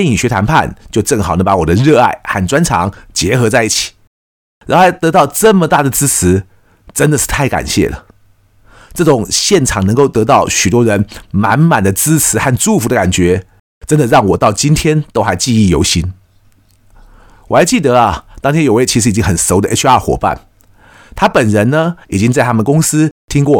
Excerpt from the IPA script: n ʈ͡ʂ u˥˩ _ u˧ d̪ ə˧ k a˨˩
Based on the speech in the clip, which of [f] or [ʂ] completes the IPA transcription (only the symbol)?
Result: f